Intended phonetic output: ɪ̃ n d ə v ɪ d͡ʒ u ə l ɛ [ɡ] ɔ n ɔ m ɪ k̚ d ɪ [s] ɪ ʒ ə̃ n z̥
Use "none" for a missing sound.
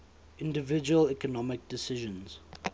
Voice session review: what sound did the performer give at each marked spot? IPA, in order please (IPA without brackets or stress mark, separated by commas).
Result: k, s